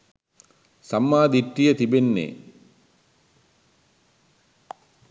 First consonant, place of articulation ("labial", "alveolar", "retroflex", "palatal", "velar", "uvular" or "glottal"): alveolar